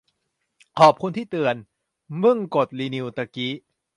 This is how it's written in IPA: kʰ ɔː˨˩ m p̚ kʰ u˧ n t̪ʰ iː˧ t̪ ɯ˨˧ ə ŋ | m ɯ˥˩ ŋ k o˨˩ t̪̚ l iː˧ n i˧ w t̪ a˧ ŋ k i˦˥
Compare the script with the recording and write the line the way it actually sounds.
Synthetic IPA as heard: kʰ ɔː˨˩ p̚ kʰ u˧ n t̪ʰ iː˥˩ t̪ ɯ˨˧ ə n | m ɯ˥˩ ŋ k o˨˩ t̪̚ l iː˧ n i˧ w t̪ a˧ k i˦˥